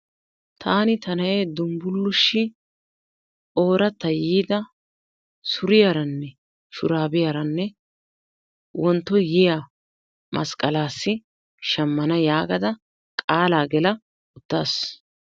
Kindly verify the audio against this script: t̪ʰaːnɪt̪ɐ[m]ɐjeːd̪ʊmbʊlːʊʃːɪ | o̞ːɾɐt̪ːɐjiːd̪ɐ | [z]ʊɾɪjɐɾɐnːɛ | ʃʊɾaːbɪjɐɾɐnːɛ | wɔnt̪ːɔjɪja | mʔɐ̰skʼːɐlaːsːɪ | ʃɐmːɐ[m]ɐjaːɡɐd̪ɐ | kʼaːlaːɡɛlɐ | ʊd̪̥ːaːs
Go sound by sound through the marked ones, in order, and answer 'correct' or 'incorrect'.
incorrect: n, incorrect: s, incorrect: n

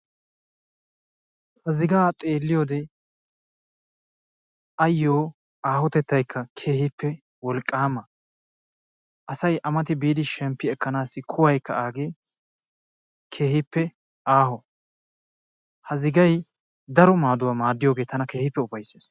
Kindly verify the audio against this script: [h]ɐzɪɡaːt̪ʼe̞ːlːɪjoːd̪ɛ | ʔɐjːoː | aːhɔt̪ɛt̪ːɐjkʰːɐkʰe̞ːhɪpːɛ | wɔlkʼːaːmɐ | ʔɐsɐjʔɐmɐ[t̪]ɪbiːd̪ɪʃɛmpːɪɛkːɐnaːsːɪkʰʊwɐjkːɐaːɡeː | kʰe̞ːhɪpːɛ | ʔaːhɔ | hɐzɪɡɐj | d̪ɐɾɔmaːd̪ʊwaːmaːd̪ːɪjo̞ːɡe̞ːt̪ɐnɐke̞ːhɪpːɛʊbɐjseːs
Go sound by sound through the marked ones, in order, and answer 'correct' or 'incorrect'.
correct, correct

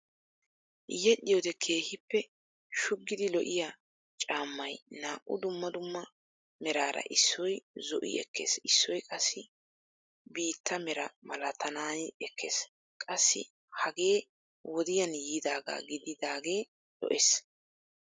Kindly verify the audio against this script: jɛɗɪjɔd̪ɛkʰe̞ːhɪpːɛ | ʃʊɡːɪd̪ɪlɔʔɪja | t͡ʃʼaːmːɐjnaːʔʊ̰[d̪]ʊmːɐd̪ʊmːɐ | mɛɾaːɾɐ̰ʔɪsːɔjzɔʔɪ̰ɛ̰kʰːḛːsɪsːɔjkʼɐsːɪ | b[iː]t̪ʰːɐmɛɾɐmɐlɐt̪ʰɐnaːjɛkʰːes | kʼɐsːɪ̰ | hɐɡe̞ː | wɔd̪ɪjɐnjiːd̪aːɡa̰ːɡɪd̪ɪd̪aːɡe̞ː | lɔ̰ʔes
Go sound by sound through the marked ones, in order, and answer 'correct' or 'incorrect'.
correct, correct

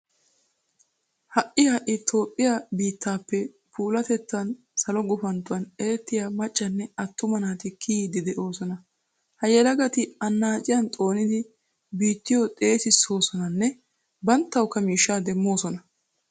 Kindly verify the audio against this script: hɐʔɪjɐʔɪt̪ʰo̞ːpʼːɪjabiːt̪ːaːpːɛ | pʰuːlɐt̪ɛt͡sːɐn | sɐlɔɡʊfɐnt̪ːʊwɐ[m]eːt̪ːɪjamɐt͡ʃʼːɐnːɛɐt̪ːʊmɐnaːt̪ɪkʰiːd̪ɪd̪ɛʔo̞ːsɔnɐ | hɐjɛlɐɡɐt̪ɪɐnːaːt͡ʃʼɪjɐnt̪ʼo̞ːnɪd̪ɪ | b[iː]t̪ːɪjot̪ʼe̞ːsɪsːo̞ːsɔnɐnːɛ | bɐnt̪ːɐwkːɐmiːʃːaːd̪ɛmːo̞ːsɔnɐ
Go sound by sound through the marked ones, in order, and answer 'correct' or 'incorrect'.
incorrect: n, correct

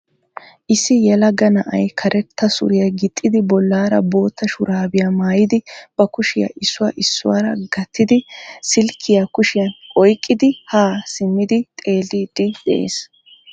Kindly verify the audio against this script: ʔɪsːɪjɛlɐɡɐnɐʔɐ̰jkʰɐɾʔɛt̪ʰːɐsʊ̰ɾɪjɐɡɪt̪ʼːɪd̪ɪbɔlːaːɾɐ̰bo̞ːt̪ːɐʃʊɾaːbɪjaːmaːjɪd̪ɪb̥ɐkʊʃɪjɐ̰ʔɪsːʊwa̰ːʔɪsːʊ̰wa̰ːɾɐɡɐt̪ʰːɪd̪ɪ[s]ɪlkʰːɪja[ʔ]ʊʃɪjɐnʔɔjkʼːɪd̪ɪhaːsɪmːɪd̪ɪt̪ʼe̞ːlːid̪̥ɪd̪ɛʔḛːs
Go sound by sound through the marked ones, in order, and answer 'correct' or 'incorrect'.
correct, incorrect: k

